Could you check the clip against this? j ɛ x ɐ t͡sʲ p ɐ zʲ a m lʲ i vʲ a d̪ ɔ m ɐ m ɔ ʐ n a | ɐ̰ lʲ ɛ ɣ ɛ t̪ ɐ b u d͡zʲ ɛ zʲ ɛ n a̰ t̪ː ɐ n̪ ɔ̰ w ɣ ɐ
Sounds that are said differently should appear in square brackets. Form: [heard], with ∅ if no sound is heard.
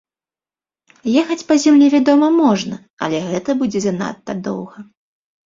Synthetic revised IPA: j ɛ x ɐ t͡sʲ p ɐ zʲ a m lʲ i vʲ a d̪ ɔ m ɐ m ɔ ʐ n [ɐ] | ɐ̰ lʲ ɛ ɣ ɛ t̪ ɐ b u d͡zʲ ɛ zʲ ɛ n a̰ t̪ː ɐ [d̪] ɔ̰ w ɣ ɐ